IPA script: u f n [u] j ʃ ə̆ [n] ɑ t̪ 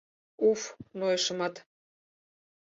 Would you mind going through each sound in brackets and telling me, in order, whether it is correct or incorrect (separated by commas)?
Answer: incorrect, incorrect